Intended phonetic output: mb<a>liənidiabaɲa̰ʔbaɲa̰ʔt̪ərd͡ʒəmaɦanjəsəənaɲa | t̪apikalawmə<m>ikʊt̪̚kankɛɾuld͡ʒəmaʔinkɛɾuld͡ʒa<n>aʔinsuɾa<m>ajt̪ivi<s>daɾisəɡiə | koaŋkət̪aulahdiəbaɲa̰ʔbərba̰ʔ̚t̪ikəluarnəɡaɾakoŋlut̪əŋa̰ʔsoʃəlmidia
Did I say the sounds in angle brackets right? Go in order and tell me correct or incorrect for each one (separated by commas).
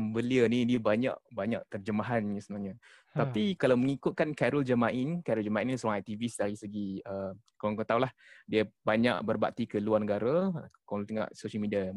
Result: incorrect, incorrect, incorrect, incorrect, correct